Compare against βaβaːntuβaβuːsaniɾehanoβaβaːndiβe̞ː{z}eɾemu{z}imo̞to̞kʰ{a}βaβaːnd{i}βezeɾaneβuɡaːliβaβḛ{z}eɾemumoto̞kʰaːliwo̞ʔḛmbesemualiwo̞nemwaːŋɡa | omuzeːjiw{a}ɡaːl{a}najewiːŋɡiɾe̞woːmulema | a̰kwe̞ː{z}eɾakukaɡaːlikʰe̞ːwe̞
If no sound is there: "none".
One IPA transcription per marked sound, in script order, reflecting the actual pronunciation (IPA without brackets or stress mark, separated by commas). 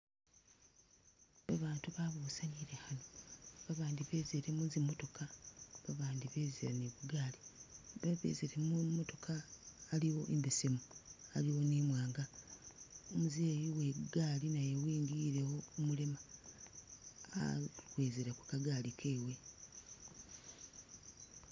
z, z, a, i, z, e, i, z